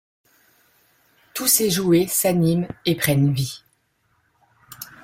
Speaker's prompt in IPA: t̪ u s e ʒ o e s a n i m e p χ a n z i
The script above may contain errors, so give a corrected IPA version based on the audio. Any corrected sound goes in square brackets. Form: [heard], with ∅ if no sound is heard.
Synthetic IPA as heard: t̪ u s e ʒ [u] e s a n i m e p χ [ɛ] n [v] i